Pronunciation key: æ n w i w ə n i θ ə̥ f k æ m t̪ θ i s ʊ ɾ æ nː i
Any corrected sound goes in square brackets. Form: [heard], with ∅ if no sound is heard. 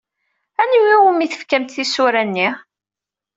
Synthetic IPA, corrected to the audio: æ n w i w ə [m] i θ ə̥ f k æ m t̪ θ i s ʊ ɾ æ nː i